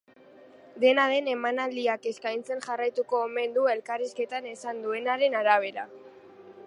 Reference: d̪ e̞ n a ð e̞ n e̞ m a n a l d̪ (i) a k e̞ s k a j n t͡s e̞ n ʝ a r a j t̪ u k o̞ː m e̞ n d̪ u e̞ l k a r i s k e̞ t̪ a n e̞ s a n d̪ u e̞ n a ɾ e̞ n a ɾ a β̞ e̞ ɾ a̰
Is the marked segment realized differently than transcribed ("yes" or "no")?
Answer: no